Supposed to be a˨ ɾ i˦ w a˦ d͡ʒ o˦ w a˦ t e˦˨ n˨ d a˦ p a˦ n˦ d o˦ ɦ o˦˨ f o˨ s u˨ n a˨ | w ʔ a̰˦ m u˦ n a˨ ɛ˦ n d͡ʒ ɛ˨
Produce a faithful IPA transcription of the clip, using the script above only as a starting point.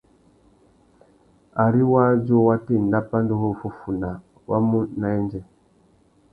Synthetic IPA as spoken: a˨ ɾ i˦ w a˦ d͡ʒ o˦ w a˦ t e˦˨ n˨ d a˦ p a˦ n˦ d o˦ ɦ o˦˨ f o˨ f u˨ n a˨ | w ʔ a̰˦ m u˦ n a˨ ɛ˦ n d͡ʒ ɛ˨